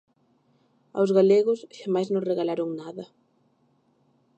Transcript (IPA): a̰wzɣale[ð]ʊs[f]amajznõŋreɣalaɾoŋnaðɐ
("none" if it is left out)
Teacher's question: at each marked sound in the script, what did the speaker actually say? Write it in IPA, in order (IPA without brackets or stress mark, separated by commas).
ɣ, ʃ